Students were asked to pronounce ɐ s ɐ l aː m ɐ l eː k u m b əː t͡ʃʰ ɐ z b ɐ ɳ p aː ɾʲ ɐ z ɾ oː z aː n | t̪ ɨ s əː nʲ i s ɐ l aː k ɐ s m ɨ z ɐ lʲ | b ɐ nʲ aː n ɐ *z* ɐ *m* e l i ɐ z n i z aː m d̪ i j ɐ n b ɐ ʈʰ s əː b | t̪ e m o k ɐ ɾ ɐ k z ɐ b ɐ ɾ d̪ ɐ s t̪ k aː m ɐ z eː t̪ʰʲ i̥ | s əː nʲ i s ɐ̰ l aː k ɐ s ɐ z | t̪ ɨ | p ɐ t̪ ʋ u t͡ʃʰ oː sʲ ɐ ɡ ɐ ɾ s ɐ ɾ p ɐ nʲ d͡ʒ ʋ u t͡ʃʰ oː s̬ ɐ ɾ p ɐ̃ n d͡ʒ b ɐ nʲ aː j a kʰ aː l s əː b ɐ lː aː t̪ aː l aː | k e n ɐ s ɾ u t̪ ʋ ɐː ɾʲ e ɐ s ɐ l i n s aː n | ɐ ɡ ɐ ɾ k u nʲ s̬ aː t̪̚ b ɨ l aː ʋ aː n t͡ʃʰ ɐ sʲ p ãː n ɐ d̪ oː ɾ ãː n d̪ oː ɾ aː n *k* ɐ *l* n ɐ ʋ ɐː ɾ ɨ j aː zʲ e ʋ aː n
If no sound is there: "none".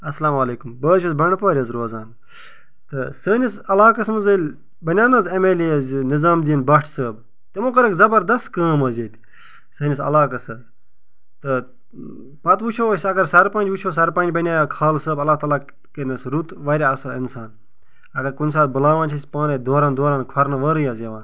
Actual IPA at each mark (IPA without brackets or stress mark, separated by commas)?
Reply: z, m, kʰ, ɾ